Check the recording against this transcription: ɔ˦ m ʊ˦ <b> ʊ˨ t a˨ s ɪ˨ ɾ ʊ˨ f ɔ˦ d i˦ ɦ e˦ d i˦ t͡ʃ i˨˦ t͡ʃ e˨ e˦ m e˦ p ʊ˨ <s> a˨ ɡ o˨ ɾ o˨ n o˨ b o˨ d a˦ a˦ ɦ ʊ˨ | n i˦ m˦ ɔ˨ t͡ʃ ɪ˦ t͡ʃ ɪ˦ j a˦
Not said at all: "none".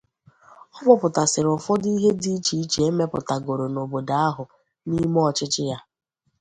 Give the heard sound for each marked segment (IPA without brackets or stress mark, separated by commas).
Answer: p, t